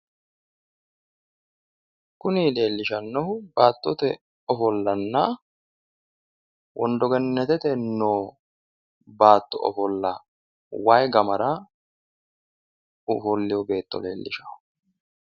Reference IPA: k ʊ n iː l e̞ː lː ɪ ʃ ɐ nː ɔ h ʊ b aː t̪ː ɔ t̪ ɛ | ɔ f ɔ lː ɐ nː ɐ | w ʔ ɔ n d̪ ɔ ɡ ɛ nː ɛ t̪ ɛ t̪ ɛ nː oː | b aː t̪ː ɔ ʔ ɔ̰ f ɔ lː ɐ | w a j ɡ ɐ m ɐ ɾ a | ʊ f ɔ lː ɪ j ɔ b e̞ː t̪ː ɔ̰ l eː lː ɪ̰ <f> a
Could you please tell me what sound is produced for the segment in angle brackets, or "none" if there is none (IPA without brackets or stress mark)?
ʃ